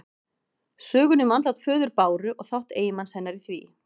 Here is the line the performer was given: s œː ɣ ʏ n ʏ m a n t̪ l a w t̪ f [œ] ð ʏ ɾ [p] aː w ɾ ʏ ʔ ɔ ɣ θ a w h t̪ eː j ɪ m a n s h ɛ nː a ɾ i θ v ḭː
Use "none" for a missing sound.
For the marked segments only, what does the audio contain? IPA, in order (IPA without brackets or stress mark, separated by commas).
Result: œː, p